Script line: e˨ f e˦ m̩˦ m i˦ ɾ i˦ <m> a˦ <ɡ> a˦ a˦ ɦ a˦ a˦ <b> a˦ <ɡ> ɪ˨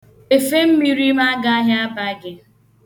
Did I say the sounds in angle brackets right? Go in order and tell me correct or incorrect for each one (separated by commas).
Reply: correct, correct, correct, correct